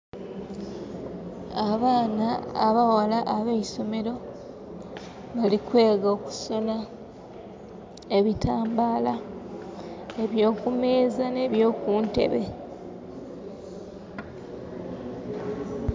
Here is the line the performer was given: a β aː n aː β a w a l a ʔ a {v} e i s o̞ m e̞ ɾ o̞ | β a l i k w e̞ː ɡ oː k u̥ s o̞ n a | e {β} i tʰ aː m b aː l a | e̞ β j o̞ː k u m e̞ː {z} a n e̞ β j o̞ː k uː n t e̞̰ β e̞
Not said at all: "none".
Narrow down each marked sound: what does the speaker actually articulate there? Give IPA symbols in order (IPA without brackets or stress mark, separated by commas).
β, β, z